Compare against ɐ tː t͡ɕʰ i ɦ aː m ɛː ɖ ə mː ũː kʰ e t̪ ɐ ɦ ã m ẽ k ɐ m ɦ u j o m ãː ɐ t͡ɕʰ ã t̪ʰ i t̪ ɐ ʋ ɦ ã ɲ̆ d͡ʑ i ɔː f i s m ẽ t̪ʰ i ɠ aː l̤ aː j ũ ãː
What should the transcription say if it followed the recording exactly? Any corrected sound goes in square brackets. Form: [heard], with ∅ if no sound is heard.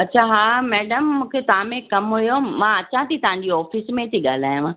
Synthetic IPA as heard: ɐ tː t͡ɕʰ [a] ɦ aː m ɛː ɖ ə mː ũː kʰ e t̪ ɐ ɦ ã m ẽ k ɐ m ɦ u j o m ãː ɐ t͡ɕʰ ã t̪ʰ i t̪ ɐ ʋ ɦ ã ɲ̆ d͡ʑ i ɔː f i s m ẽ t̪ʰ i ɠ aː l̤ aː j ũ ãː

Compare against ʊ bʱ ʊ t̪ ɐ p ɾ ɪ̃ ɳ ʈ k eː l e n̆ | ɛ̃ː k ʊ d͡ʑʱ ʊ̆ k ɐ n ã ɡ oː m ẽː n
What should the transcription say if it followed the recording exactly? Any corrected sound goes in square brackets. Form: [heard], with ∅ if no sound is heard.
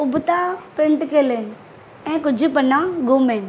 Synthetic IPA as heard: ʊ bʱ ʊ t̪ [a] p ɾ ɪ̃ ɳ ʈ k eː l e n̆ | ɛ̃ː k ʊ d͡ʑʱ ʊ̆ [p] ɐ n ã ɡ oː m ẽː n

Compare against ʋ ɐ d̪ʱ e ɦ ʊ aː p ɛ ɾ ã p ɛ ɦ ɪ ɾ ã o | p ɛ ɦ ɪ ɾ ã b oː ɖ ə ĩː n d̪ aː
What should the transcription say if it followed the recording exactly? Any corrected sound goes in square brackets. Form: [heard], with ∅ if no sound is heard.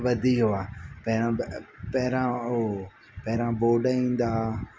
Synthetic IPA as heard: ʋ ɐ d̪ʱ [i] ɦ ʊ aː p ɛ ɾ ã p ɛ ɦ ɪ ɾ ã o | p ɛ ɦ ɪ ɾ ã b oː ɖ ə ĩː n d̪ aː

